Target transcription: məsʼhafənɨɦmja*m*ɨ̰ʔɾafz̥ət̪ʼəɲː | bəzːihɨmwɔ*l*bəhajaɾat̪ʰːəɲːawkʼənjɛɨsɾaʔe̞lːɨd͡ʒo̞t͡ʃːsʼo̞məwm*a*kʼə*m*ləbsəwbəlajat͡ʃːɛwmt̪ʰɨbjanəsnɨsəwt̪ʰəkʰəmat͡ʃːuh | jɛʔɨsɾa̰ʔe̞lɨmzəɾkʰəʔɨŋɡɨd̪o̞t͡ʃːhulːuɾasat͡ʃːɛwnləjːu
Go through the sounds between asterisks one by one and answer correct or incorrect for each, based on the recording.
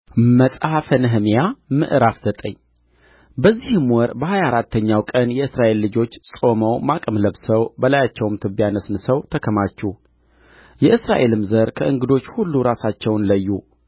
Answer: correct, incorrect: ɾ, correct, correct

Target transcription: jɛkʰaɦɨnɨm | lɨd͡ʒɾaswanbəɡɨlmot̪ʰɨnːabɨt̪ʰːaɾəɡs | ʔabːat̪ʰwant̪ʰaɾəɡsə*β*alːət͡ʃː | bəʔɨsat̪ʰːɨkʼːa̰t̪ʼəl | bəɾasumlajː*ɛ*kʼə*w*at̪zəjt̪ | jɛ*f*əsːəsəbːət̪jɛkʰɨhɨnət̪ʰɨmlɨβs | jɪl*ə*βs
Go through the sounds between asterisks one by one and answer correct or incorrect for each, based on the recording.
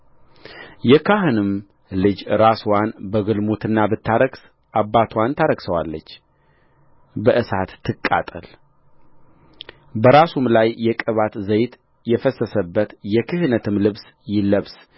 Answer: incorrect: w, correct, incorrect: β, correct, correct

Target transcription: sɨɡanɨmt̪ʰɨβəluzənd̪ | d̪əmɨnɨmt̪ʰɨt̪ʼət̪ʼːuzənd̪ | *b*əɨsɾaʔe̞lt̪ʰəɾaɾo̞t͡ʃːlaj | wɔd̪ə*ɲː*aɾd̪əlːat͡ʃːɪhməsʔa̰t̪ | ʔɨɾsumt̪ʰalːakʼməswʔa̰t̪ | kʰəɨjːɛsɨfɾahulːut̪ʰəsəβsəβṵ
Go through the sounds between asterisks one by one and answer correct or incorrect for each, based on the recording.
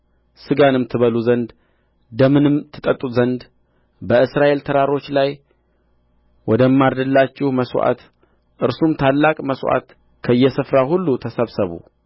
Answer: correct, incorrect: mː

